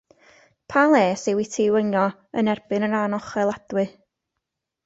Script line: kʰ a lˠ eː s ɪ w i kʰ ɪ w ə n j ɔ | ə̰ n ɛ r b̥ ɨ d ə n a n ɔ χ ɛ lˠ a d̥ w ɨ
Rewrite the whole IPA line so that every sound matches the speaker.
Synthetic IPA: pʰ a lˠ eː s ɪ w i tʰ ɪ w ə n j ɔ | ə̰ n ɛ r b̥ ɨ n ə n a n ɔ χ ɛ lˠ a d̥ w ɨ